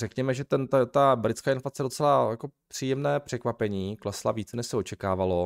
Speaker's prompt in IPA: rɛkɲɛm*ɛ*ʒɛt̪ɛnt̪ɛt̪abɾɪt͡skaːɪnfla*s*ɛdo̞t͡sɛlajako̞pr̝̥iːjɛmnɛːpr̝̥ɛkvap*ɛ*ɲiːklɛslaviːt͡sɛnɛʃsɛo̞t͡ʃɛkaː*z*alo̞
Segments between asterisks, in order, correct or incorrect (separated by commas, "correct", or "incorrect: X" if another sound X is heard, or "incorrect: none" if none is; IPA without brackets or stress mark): correct, incorrect: t͡s, correct, incorrect: v